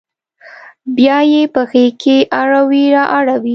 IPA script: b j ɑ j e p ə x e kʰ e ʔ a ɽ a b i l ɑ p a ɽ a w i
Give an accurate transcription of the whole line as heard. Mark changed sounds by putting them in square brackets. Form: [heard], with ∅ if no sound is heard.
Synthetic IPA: b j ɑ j e p ə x e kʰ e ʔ a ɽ a [w] i [ɾ] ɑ [ʔ] a ɽ a w i